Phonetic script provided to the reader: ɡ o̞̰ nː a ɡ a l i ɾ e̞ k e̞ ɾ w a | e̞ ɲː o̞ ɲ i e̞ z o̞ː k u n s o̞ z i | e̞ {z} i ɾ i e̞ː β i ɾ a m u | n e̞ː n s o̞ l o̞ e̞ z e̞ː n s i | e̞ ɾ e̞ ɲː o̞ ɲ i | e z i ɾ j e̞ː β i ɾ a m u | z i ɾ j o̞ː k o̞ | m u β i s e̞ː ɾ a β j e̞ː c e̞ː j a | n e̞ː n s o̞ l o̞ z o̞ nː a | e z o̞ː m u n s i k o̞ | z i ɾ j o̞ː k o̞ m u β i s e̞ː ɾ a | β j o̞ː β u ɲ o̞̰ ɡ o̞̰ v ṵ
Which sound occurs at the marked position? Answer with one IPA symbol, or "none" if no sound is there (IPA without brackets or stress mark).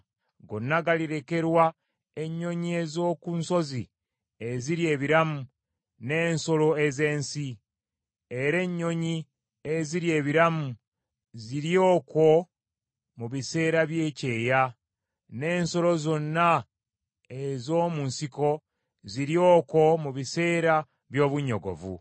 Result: z